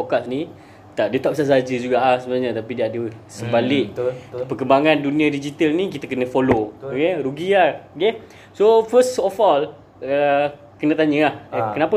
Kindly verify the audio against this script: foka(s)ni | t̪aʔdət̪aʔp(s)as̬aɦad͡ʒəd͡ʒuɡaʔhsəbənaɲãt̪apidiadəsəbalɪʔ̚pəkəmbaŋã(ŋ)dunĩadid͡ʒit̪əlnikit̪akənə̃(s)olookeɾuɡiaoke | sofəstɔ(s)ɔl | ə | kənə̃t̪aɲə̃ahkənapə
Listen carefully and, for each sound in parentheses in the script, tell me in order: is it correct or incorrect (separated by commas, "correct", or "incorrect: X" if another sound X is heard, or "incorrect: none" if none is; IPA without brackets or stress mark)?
correct, correct, incorrect: n, incorrect: f, incorrect: f